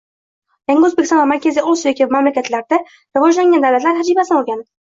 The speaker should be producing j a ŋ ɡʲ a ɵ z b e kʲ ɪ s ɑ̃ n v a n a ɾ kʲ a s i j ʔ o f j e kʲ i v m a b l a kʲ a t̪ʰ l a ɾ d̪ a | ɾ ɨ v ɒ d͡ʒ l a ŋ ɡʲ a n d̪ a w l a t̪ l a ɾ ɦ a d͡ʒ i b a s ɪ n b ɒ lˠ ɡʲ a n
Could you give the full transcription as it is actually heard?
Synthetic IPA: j a ŋ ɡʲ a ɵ z b e kʲ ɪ s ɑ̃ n v a m a ɾ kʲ a z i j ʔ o s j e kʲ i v m a m l a kʲ a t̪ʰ l a ɾ d̪ a | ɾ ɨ v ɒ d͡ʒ l a ŋ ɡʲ a n d̪ a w l a t̪ l a ɾ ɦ a d͡ʒ i b a s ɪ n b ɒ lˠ ɡʲ a n